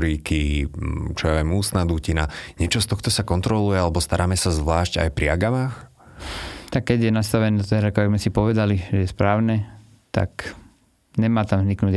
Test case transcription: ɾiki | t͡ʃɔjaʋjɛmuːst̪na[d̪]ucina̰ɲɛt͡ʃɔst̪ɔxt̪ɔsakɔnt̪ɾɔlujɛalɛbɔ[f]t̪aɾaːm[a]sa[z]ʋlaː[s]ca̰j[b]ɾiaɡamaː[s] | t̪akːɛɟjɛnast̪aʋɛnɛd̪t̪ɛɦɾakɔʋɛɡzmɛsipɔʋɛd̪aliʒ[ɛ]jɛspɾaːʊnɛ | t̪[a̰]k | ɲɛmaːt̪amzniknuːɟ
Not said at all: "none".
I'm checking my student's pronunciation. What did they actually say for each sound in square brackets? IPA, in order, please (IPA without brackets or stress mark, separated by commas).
d̪, s, ɛ, z, ʃ, p, x, ɛ, a̰